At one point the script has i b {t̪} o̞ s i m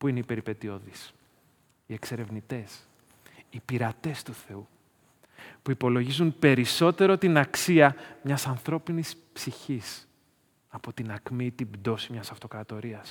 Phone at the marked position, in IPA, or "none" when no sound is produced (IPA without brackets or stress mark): d̪